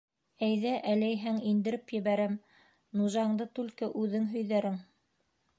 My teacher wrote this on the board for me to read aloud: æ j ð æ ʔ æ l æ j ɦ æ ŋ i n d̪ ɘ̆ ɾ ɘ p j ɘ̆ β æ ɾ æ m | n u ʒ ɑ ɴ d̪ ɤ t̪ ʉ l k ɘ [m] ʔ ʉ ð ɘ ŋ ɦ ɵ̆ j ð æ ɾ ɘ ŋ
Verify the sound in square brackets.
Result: incorrect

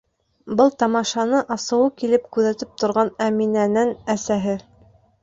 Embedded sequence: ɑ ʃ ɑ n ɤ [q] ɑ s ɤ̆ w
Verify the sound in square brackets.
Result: incorrect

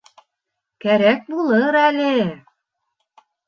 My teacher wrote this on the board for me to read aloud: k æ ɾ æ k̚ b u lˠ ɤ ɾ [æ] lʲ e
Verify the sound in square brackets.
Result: correct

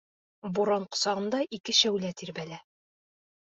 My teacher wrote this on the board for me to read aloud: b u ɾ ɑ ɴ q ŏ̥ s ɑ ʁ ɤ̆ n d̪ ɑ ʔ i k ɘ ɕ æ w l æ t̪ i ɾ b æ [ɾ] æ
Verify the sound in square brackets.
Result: incorrect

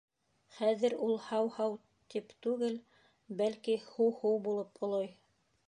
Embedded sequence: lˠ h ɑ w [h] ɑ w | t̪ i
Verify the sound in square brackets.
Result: correct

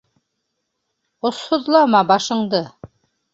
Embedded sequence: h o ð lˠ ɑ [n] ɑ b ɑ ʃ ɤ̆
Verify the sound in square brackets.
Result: incorrect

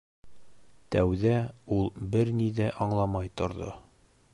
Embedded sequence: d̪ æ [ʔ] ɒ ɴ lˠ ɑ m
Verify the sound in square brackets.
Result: correct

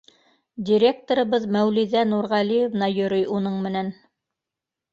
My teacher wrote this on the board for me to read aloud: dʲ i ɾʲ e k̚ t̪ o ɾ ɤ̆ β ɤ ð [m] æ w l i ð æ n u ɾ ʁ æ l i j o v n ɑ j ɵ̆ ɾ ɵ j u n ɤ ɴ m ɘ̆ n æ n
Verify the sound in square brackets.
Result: correct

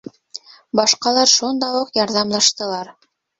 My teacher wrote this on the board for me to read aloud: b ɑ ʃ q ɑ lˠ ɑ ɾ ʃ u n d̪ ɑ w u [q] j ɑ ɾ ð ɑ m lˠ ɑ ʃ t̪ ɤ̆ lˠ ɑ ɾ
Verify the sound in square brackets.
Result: correct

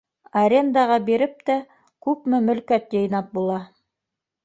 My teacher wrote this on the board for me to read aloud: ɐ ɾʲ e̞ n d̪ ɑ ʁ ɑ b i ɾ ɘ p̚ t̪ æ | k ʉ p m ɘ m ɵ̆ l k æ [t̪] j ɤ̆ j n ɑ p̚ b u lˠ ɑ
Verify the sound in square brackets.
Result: correct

